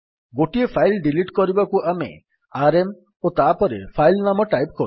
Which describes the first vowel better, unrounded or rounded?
rounded